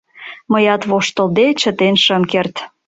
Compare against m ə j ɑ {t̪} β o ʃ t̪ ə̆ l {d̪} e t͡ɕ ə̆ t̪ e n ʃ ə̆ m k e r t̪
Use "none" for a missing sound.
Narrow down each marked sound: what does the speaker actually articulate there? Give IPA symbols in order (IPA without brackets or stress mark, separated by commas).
t̪, d̪